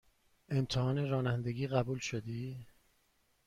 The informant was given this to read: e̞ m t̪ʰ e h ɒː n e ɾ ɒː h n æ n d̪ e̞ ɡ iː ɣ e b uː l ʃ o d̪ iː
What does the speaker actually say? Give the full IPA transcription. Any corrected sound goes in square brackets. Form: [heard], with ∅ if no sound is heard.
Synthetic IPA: e̞ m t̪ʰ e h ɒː n e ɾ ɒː [∅] n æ n d̪ e̞ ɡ iː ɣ [æ] b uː l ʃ o d̪ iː